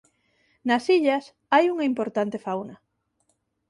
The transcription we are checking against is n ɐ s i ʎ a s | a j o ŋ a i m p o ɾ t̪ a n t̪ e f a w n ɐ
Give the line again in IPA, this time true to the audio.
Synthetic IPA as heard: n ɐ s i ʎ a s | a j u ŋ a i m p o ɾ t̪ a n t̪ e f a w n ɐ